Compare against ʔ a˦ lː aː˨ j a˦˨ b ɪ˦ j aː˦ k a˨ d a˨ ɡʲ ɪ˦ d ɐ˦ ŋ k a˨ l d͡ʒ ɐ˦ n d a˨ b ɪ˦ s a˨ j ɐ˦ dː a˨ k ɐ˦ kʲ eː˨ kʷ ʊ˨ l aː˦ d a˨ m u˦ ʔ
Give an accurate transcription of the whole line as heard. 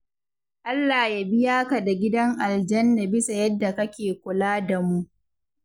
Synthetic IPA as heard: ʔ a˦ lː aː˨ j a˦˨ b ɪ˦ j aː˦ k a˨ d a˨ ɡʲ ɪ˦ d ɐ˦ ŋ ʔ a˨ l d͡ʒ ɐ˦ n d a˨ b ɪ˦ s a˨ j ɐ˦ dː a˨ k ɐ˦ kʲ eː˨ kʷ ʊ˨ l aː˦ d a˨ m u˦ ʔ